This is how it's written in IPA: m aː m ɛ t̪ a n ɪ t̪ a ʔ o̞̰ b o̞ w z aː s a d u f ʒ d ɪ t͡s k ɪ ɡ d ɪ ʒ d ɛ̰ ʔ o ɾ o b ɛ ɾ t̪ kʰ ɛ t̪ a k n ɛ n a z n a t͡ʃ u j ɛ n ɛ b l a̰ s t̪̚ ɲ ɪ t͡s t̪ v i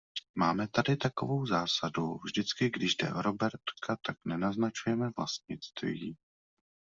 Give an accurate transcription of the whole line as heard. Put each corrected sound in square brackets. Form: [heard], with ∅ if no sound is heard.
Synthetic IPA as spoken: m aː m ɛ t̪ a [d] ɪ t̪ a [k] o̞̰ [v] o̞ w z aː s a d u [v] ʒ d ɪ t͡s k ɪ ɡ d ɪ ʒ d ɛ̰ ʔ o ɾ o b ɛ ɾ t̪ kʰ [a] t̪ a k n ɛ n a z n a t͡ʃ u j ɛ [m] ɛ [v] l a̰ s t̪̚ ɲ ɪ t͡s t̪ v i